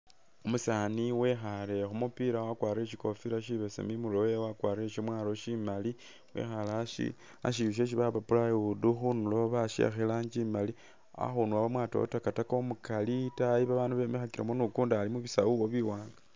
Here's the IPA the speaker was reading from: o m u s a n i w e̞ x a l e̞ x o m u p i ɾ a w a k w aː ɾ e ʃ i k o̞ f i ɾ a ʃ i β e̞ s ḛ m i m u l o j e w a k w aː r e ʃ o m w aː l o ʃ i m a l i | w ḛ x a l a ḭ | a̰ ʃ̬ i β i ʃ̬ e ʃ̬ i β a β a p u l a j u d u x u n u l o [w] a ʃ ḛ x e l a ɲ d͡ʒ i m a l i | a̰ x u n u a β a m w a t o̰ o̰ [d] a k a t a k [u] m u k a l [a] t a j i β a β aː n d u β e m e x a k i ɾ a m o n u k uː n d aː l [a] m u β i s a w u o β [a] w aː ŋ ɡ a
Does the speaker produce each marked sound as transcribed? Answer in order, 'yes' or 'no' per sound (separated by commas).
no, no, no, no, no, no